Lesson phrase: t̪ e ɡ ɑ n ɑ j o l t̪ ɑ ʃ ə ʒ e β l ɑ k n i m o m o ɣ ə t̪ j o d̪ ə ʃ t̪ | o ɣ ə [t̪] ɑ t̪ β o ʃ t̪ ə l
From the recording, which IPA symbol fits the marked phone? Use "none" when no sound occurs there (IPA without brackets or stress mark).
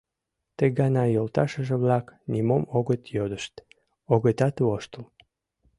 t̪